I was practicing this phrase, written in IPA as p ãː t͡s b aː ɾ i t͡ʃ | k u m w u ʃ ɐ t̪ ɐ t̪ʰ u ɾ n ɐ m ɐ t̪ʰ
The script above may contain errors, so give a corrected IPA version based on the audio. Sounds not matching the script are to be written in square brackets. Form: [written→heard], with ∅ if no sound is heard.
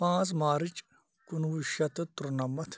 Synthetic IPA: p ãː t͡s [b→m] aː ɾ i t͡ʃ | k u [m→n] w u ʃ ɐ t̪ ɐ [t̪ʰ→t̪] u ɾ n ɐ m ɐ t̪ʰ

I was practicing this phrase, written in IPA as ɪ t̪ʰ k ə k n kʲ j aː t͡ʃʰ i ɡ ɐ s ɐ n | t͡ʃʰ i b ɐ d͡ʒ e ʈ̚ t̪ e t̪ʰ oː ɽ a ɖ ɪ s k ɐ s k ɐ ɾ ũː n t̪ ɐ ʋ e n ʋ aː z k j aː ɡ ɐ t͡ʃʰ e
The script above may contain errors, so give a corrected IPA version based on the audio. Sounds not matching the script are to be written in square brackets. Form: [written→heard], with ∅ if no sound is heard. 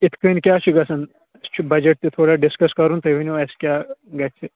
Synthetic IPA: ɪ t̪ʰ k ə [k→∅] n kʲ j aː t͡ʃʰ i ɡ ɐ s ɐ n | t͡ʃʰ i b ɐ d͡ʒ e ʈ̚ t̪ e t̪ʰ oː ɽ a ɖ ɪ s k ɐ s k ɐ ɾ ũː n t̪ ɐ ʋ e n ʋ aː [z→s] k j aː ɡ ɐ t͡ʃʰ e

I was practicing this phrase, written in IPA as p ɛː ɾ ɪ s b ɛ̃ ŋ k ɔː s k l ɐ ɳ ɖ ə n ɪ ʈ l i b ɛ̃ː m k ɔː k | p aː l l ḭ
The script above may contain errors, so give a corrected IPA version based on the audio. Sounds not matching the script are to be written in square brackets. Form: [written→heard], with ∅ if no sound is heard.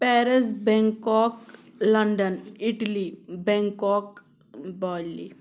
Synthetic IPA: p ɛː ɾ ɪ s b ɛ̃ ŋ k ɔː [s→∅] k l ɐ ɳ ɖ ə n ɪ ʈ l i b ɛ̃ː [m→ŋ] k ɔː k | [p→b] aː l l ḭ

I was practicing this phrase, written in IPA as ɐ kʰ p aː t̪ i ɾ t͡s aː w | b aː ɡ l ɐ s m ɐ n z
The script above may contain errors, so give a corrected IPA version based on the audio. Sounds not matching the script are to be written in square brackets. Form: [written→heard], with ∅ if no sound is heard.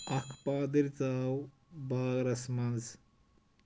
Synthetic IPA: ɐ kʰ p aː [t̪→d̪] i ɾ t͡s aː w | b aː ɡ [l→ɾ] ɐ s m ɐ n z

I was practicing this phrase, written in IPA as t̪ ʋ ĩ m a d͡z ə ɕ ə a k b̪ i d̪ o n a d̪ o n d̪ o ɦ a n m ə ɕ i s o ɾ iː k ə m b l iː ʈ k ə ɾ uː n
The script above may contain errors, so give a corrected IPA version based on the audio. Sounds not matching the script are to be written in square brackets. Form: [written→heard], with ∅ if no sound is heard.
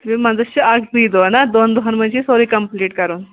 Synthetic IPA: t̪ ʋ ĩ m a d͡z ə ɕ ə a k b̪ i d̪ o n a d̪ o n d̪ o ɦ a n m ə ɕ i s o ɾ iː k ə m [b→p] l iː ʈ k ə ɾ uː n

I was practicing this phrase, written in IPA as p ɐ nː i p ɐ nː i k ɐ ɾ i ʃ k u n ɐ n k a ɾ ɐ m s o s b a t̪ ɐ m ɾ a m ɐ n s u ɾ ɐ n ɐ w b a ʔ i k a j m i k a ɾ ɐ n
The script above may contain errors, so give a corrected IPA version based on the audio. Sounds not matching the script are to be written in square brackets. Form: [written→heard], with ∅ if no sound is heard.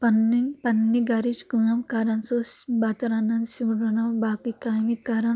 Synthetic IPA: p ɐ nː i p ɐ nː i [k→ɡ] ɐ ɾ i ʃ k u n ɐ [n→m] k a ɾ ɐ [m→n] s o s b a t̪ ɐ [m→∅] ɾ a [m→n] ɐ n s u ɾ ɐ n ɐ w b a [ʔ→k] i k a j m i k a ɾ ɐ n

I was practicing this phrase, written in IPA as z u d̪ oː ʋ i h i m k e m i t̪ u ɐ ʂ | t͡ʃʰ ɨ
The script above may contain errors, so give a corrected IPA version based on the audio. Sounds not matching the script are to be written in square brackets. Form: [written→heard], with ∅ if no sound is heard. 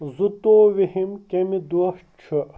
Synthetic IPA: z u [d̪→t̪] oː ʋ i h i m k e m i [t̪→d̪] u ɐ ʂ | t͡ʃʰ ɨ

